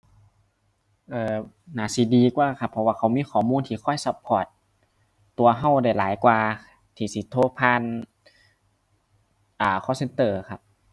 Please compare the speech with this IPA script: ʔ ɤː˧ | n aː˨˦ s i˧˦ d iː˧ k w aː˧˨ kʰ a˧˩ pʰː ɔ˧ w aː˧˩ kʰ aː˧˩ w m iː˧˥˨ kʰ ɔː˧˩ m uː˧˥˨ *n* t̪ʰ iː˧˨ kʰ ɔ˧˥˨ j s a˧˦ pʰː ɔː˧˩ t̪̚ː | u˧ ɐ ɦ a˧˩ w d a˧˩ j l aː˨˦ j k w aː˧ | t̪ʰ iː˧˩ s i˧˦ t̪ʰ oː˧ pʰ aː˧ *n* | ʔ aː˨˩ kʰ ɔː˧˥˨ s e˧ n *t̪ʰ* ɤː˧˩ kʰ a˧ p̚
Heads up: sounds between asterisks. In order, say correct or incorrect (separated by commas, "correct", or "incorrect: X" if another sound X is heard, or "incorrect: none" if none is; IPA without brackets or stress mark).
correct, correct, incorrect: t̪